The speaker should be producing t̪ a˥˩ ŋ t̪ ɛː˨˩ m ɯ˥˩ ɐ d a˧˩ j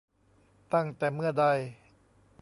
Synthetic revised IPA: t̪ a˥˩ ŋ t̪ ɛː˨˩ m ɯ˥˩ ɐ d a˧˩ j